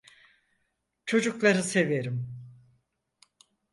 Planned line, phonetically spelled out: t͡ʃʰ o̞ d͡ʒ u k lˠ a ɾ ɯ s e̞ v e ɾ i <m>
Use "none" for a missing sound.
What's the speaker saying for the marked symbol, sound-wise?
m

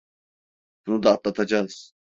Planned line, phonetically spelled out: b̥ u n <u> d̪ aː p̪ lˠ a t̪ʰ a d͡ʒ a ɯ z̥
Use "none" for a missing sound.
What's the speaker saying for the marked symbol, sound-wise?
u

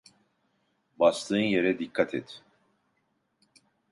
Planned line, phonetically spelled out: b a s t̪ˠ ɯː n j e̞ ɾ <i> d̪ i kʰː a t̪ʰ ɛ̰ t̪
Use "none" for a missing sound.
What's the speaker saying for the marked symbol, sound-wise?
ɛ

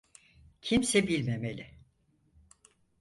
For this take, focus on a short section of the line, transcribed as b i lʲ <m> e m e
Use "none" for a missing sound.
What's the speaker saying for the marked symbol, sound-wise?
m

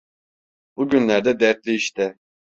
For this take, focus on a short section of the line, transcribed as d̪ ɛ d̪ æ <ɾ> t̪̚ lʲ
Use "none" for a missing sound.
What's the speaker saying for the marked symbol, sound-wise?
ɾ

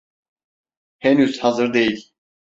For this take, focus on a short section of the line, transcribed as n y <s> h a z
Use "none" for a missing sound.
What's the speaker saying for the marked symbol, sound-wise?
z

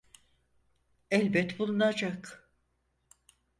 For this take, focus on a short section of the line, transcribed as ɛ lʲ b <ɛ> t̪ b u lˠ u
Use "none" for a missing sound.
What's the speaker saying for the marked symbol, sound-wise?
ɛ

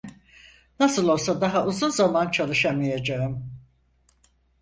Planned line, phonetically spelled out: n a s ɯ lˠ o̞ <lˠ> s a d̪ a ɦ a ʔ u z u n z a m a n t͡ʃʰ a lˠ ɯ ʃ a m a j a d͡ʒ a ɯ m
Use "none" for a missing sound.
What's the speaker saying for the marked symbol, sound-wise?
lˠ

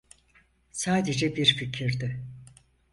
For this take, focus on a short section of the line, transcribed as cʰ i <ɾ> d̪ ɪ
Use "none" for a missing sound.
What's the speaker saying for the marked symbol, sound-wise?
ɾ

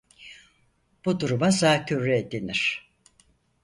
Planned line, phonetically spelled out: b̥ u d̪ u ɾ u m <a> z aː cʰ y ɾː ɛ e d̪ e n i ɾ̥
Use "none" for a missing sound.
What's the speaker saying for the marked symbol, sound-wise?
a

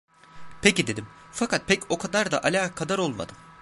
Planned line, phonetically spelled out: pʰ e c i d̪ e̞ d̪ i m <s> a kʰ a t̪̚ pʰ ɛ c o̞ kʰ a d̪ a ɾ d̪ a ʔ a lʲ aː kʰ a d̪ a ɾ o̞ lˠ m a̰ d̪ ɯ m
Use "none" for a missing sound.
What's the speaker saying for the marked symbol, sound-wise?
f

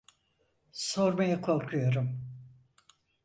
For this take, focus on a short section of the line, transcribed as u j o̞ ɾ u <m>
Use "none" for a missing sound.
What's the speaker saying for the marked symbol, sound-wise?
m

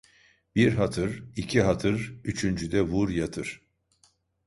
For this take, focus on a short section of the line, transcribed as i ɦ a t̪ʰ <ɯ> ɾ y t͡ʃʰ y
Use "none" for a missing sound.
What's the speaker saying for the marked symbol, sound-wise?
ɯ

